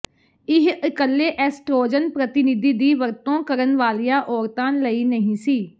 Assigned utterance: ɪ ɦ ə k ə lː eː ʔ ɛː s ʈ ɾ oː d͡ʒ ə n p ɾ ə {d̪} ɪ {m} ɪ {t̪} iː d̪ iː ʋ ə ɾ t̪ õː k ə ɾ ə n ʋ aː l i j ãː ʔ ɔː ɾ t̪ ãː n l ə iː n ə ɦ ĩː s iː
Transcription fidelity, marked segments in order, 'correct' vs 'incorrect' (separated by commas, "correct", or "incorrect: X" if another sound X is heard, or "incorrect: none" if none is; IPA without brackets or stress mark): incorrect: t̪, incorrect: n, incorrect: d̪